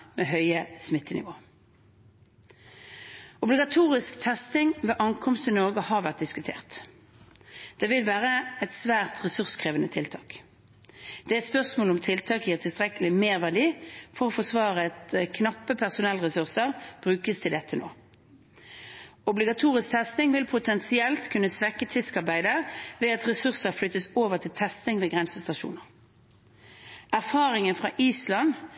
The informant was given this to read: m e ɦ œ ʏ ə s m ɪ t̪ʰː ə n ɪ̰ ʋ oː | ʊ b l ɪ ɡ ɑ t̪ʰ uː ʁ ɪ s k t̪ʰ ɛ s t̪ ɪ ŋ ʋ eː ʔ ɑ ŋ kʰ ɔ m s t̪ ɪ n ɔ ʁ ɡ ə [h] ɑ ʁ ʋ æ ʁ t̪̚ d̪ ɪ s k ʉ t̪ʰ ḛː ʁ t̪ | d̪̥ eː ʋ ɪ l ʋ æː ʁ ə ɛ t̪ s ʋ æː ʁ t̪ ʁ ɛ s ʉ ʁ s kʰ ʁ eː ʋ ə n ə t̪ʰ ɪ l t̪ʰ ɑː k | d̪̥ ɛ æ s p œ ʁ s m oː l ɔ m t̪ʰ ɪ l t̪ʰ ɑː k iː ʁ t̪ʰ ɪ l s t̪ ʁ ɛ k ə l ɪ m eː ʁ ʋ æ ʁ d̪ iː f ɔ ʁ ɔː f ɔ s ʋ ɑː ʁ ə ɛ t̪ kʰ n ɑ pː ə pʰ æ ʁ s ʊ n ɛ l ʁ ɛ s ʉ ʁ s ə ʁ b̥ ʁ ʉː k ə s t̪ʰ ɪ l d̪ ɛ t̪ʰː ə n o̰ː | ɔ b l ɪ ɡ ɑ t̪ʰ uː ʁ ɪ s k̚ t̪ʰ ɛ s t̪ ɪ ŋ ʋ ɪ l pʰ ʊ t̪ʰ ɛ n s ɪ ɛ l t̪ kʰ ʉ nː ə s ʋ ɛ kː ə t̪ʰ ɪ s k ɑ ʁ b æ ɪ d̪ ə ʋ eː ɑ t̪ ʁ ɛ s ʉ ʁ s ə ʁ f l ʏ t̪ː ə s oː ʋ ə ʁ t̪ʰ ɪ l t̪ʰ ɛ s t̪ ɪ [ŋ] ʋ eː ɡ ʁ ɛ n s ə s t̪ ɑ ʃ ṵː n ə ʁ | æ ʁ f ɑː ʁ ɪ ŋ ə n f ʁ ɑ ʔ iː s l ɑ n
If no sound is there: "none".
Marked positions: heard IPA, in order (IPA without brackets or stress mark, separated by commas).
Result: h, ŋ